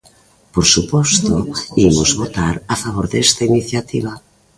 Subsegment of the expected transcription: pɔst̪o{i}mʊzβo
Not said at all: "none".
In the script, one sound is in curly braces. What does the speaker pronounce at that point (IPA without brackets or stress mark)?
i